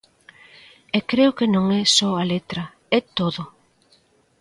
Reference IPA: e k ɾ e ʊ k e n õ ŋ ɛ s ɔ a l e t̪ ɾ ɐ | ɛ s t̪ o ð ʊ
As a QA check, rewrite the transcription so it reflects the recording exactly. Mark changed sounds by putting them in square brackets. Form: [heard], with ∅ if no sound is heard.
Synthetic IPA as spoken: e k ɾ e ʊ k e n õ ŋ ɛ s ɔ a l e t̪ ɾ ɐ | ɛ [∅] t̪ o ð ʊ

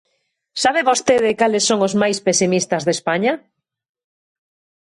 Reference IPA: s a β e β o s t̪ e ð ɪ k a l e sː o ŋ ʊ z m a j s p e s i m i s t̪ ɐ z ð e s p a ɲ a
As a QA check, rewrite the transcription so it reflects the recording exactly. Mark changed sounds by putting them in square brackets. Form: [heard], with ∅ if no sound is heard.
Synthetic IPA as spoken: s a β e β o s t̪ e ð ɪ k a l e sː o ŋ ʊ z m a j s p e s i m i s t̪ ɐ z ð e s p a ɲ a

